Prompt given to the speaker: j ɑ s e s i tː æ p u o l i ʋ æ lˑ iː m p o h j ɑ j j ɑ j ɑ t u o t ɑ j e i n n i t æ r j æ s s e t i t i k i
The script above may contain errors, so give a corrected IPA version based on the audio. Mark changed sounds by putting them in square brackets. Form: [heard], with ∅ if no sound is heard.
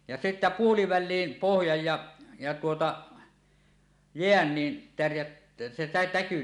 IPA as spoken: j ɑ s e s i tː æ p u o l i ʋ æ lˑ iː m p o h j ɑ j j ɑ j ɑ t u o t ɑ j e [æ] n n i t æ r j æ [t] s e t [æ] t [æ] k [y]